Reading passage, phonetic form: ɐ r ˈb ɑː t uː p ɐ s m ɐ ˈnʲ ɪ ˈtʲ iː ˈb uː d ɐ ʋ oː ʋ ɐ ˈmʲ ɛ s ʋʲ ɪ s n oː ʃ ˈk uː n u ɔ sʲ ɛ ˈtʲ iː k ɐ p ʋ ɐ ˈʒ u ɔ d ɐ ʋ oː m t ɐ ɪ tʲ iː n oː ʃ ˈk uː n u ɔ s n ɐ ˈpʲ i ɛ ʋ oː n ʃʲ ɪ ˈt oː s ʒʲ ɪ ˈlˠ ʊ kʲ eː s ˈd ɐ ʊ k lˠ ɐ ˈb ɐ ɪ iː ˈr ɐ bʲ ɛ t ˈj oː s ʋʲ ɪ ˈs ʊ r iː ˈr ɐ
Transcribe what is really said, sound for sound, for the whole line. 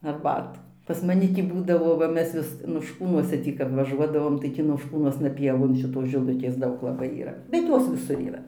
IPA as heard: ɐ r ˈb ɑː t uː p ɐ s m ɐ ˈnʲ ɪ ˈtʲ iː ˈb uː d ɐ ʋ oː ʋ ɐ ˈmʲ ɛ s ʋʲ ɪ s n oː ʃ ˈk uː n u ɔ sʲ ɛ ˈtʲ iː k ɐ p ʋ ɐ ˈʒ u ɔ d ɐ ʋ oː m t ɐ ɪ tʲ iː n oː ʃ ˈk uː n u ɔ s n ɐ ˈpʲ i ɛ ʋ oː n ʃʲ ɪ ˈt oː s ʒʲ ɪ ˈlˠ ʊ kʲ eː s ˈd ɐ ʊ k lˠ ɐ ˈb ɐ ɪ iː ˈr ɐ bʲ ɛ t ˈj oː s ʋʲ ɪ ˈs ʊ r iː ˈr ɐ